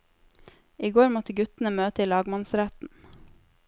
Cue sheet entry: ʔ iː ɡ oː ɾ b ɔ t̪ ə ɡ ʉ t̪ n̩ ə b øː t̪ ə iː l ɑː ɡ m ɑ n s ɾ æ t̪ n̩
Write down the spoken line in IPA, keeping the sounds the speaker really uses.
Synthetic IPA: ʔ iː ɡ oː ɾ m ɔ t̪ ə ɡ ʉ t̪ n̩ ə m øː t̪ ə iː l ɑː ɡ m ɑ n s ɾ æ t̪ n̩